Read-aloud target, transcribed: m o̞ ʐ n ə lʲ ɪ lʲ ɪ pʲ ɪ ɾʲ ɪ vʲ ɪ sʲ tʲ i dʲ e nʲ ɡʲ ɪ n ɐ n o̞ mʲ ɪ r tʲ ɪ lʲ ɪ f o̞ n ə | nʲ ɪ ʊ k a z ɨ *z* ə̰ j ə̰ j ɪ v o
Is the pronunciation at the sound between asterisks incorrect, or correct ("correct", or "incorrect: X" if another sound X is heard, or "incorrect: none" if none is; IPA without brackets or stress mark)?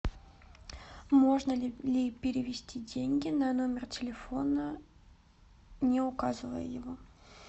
incorrect: v